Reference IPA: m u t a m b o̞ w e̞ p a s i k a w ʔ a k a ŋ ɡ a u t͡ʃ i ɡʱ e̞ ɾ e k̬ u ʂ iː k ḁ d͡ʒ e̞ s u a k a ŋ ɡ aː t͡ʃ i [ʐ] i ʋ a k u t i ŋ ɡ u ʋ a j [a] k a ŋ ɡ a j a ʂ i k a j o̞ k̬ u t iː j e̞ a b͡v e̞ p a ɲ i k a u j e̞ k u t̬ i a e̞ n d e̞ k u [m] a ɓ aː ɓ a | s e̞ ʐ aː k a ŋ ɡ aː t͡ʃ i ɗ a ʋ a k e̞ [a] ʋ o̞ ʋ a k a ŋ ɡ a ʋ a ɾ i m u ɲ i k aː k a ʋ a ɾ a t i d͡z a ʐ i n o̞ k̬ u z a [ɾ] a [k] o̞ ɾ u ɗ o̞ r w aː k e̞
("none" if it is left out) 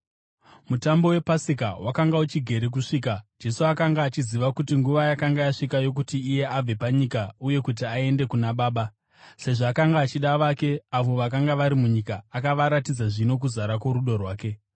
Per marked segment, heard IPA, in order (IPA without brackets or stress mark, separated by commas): z, a, n, a, ɾ, k